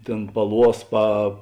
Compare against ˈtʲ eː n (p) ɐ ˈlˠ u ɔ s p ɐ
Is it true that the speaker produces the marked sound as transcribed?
yes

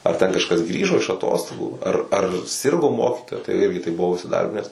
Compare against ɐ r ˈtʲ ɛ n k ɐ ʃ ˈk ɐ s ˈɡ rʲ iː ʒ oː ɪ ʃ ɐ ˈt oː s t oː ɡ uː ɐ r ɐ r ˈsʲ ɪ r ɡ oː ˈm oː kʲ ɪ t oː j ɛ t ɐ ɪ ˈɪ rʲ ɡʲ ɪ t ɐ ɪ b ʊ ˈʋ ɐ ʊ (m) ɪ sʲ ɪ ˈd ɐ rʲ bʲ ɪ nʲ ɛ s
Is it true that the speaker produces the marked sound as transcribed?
no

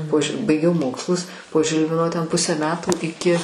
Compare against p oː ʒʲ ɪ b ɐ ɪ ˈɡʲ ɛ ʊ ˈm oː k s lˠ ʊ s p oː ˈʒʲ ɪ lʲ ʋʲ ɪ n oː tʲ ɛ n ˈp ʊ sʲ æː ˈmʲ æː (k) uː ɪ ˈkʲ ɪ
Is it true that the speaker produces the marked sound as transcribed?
no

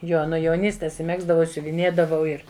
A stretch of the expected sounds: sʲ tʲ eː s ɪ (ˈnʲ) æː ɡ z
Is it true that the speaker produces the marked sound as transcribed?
no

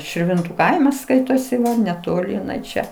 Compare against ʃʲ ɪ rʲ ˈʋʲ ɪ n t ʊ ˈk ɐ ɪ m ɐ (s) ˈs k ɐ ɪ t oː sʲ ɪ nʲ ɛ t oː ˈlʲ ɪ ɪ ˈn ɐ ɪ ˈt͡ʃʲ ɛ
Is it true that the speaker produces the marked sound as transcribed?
yes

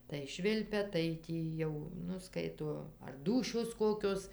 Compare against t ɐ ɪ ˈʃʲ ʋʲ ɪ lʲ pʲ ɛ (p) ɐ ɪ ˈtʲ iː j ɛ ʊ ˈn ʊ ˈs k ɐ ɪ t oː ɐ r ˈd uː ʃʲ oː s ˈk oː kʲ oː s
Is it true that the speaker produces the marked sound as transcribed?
no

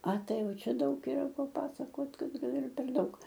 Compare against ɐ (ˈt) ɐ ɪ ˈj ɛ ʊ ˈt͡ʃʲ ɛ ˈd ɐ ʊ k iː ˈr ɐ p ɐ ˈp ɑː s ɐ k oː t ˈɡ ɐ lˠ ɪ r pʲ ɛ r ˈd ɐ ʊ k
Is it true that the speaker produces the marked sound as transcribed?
yes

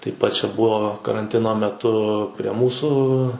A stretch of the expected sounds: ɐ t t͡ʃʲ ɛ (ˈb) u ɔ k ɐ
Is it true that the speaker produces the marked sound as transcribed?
yes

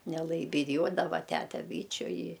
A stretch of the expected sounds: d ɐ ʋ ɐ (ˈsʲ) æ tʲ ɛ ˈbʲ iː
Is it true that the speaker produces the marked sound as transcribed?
no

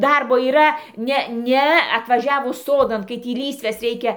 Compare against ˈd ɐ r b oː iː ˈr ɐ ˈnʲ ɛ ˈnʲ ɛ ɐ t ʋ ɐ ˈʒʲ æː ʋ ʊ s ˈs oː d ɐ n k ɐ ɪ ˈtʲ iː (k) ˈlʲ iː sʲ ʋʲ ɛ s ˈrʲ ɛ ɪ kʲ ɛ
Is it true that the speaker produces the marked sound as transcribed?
no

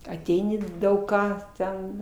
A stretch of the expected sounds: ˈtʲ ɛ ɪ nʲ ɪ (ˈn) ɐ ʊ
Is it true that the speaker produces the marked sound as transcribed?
no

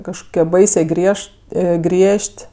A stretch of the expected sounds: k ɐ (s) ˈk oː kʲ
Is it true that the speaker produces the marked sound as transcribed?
no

